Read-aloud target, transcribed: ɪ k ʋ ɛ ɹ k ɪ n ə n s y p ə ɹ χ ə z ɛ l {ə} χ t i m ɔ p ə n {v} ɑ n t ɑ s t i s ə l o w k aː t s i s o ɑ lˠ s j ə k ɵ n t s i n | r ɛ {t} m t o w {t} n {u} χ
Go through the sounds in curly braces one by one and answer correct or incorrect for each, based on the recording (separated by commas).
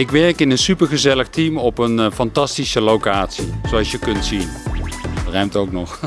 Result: correct, incorrect, incorrect, incorrect, incorrect